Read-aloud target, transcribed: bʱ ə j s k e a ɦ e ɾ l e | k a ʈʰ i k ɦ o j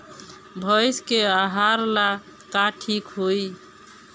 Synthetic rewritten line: bʱ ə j s k e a ɦ a ɾ l a | k a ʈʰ i k ɦ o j